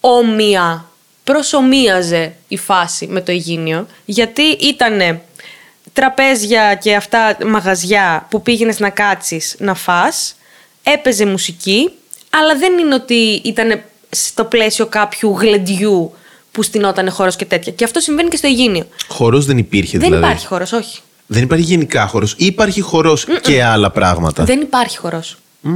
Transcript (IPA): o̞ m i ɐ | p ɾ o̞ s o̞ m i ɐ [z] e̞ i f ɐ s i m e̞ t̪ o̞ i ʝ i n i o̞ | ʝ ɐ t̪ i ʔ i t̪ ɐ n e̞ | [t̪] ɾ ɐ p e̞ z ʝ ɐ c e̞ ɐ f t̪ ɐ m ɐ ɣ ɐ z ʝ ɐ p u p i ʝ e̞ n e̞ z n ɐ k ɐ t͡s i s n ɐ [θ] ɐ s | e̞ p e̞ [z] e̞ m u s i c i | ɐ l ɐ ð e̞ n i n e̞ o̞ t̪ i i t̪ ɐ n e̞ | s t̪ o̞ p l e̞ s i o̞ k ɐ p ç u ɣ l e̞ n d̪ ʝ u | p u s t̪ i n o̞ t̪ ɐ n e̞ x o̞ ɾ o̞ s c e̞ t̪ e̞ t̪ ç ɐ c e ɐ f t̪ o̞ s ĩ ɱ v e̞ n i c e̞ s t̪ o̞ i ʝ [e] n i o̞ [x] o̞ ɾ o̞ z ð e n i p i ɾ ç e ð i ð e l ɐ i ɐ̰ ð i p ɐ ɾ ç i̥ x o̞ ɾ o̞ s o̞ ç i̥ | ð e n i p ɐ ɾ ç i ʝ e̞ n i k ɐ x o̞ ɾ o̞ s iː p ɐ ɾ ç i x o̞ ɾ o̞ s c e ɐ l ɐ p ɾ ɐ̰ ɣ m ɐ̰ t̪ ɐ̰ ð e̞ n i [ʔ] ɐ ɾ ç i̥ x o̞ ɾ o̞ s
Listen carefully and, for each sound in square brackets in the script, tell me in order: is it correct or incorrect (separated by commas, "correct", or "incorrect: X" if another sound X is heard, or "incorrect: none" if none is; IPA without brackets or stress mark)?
correct, correct, incorrect: f, correct, incorrect: i, correct, incorrect: p